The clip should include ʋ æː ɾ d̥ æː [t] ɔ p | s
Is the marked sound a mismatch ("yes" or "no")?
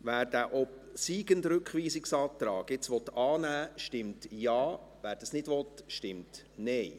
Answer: yes